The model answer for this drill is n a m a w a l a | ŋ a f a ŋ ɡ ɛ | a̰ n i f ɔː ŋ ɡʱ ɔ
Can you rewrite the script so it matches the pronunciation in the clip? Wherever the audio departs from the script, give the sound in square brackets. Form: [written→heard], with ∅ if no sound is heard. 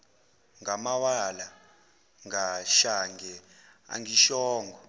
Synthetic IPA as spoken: [n→ŋ] a m a w a l a | ŋ a [f→ʃ] a ŋ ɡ ɛ | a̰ [n→ŋ] i [f→ʃ] ɔː ŋ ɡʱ ɔ